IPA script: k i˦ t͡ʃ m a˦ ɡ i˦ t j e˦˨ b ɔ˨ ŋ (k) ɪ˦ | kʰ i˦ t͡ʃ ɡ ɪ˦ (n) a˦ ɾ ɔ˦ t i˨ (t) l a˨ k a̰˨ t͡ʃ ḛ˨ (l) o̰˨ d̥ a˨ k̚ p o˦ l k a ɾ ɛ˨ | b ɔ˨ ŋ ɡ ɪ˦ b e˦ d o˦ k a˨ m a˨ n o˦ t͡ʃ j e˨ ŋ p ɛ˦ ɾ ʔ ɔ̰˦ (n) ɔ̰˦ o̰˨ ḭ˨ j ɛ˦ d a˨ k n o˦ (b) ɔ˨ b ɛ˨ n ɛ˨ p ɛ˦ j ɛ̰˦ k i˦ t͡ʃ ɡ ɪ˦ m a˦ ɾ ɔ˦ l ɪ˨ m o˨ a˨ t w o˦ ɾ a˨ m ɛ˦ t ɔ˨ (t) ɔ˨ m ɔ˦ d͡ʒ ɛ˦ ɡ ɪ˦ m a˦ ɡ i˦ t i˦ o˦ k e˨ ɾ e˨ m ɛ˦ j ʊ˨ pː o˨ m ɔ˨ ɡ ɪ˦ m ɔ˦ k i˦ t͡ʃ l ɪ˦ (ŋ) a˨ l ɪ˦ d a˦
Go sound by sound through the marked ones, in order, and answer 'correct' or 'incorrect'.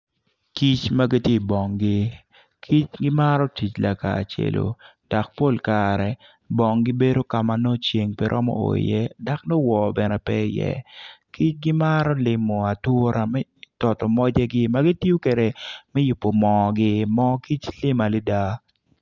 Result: incorrect, incorrect, incorrect, correct, incorrect, incorrect, correct, incorrect

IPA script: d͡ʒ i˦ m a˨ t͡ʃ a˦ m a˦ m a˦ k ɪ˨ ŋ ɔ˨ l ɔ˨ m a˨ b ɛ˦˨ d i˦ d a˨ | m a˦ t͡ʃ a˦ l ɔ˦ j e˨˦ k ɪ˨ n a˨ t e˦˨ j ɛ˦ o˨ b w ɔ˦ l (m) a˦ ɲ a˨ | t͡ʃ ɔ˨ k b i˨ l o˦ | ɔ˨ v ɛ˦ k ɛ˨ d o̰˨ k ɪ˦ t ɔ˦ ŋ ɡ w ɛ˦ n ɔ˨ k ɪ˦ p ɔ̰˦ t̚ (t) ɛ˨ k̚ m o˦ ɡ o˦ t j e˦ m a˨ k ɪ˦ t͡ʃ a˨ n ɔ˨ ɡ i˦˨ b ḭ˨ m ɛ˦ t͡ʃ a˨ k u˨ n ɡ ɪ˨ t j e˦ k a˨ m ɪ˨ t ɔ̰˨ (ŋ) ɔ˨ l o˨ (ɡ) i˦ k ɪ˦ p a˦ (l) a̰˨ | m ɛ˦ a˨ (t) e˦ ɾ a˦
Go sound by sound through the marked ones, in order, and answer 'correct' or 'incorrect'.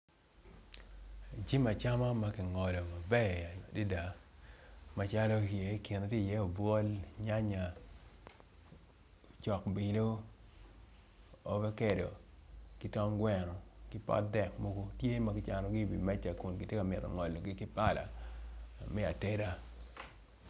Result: incorrect, incorrect, correct, correct, correct, correct

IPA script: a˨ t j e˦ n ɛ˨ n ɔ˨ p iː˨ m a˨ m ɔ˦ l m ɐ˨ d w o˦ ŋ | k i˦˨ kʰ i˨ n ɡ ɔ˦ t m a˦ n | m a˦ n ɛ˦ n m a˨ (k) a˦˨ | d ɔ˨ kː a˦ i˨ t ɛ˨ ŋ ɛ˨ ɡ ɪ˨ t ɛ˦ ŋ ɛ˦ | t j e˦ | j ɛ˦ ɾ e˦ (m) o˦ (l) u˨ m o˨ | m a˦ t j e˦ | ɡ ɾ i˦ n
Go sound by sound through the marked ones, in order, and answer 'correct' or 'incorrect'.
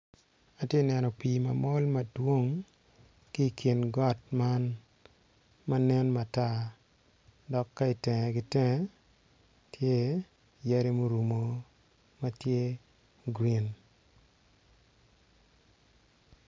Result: incorrect, correct, incorrect

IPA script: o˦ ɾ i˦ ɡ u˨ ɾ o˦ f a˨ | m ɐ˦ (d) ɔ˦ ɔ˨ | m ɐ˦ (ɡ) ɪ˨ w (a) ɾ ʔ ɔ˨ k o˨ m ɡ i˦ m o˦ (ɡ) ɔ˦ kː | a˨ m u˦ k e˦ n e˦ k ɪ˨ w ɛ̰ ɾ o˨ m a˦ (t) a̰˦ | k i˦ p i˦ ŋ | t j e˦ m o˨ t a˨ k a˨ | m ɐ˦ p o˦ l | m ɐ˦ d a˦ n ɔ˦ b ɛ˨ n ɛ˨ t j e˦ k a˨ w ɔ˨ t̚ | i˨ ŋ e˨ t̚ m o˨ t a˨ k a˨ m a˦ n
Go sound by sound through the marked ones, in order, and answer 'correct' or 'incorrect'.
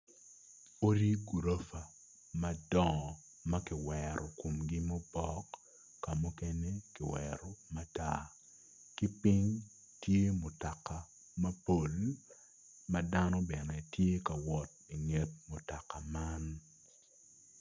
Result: correct, incorrect, incorrect, incorrect, correct

